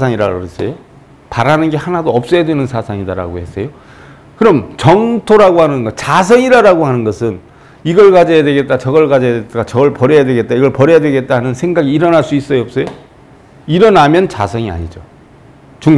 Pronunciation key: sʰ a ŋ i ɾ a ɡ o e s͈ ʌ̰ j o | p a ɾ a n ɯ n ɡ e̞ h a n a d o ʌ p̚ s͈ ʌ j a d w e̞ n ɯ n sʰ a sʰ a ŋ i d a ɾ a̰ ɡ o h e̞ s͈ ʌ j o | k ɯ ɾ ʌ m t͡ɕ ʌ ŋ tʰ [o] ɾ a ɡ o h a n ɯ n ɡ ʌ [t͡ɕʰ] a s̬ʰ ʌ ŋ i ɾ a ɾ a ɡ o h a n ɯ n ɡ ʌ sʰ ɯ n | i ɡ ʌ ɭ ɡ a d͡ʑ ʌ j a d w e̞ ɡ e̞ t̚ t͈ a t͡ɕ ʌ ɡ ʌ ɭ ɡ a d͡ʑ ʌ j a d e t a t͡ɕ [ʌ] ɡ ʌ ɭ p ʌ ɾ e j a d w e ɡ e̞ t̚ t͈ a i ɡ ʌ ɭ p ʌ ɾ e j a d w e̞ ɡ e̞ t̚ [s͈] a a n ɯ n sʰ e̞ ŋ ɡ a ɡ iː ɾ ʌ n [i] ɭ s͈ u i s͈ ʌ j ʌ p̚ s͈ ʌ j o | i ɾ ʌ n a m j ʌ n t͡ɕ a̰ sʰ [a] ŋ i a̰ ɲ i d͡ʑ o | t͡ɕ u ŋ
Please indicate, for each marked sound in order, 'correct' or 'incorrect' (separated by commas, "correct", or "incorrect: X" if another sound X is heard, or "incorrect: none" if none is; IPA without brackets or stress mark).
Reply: correct, incorrect: t͡ɕ, correct, incorrect: t͈, incorrect: a, incorrect: ʌ